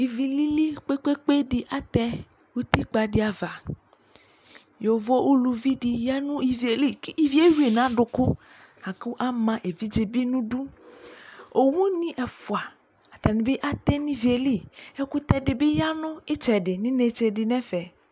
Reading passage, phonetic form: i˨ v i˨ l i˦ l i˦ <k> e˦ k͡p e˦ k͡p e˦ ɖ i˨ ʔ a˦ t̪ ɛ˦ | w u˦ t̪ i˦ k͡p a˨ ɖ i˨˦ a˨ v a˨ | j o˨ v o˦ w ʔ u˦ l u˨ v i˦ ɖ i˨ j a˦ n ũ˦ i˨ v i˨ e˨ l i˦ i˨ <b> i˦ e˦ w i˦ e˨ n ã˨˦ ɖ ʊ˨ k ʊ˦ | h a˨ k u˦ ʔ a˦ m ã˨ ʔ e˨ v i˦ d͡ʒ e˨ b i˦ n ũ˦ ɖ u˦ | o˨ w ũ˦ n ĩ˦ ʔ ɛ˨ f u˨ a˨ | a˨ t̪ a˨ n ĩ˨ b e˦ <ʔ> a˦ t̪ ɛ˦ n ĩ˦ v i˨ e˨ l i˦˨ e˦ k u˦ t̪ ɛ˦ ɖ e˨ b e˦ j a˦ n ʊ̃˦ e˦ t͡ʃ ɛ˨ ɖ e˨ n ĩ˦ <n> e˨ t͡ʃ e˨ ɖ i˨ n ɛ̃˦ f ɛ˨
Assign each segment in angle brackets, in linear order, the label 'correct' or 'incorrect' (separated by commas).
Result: incorrect, incorrect, correct, correct